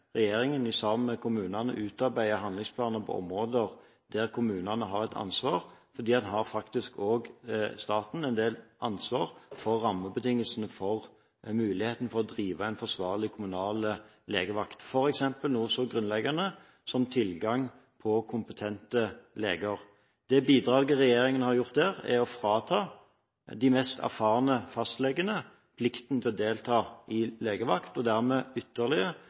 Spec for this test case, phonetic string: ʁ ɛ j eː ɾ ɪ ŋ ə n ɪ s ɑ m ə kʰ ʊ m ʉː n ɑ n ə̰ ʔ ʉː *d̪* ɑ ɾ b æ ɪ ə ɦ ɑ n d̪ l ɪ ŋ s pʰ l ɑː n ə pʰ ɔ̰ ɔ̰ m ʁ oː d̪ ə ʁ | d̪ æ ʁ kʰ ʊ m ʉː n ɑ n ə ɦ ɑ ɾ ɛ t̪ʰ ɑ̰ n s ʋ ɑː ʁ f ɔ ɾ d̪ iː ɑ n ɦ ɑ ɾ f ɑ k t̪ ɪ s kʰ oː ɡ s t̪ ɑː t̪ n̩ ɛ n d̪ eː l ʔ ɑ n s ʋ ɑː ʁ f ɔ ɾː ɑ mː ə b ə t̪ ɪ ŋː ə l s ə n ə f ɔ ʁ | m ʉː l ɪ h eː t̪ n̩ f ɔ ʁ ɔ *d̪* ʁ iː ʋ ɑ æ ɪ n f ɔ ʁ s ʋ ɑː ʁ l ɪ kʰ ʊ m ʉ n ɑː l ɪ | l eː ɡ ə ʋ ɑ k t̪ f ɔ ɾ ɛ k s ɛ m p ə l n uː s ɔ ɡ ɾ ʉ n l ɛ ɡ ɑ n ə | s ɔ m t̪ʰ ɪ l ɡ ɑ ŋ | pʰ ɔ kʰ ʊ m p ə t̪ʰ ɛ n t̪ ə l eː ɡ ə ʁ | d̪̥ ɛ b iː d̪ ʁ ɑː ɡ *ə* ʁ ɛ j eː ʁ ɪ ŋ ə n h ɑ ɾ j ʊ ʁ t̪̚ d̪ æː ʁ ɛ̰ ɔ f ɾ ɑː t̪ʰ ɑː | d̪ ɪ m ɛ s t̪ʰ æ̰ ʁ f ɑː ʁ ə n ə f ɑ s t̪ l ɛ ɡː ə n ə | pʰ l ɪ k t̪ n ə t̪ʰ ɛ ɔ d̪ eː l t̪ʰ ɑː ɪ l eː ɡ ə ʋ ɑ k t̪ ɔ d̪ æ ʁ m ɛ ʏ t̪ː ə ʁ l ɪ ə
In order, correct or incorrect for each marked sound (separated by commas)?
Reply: incorrect, correct, correct